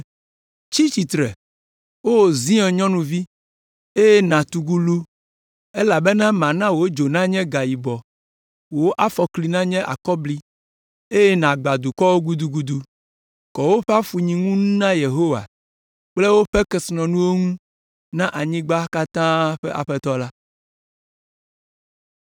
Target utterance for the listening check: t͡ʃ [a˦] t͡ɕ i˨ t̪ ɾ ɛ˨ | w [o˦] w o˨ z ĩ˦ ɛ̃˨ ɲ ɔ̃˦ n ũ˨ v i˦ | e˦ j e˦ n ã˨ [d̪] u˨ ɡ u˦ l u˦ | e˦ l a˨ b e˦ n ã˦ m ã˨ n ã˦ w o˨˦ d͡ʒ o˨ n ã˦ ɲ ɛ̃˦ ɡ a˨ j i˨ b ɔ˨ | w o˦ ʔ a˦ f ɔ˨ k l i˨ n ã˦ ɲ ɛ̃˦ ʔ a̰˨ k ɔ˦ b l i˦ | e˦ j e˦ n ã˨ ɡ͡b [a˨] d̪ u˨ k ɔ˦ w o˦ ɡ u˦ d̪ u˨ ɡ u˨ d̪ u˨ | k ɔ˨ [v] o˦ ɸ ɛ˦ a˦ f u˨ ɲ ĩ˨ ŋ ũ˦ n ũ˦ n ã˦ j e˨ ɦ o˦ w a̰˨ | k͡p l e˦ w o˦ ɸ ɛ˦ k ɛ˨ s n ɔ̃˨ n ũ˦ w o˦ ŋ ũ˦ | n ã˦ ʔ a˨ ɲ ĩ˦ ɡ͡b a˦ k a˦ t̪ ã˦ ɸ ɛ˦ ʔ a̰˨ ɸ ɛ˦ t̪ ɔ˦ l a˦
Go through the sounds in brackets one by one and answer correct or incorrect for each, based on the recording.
incorrect, correct, incorrect, correct, incorrect

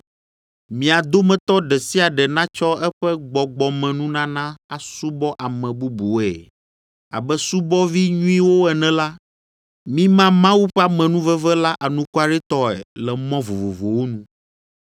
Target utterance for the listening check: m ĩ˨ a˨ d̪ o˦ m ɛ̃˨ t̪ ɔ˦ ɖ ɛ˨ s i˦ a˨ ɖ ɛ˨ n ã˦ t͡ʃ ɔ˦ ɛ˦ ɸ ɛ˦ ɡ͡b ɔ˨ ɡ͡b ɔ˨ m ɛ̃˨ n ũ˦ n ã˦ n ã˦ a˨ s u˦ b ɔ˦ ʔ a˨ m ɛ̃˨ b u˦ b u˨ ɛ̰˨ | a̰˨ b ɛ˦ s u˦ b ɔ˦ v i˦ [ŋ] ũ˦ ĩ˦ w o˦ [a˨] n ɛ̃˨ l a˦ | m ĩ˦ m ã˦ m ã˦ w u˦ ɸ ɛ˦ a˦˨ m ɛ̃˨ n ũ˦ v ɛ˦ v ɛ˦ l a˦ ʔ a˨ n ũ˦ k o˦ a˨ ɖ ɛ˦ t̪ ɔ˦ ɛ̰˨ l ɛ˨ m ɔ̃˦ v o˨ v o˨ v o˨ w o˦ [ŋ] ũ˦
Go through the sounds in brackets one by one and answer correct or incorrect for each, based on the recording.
incorrect, incorrect, incorrect

